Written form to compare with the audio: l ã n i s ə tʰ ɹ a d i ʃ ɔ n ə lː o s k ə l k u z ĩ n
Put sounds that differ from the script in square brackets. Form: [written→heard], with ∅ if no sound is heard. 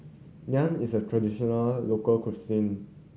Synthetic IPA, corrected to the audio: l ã n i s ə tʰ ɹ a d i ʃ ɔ n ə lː o [s→∅] k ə l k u [z→s] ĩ n